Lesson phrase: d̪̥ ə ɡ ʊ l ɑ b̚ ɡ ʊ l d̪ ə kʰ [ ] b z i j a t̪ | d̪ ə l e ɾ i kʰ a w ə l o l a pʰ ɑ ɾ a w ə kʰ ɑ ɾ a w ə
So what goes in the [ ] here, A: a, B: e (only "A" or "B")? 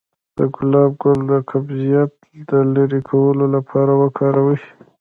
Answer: A